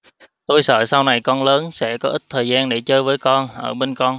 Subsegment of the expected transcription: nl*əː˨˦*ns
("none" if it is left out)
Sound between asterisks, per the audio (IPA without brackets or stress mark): əː˨˦